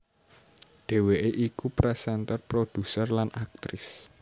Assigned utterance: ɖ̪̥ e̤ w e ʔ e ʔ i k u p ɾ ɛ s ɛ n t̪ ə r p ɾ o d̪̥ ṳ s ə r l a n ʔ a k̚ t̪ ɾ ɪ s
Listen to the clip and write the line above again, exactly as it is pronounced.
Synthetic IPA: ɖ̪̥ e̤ w e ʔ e ʔ i k u p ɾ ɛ s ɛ n t̪ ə r p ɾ o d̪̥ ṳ s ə r l a n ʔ a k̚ t̪ ɾ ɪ s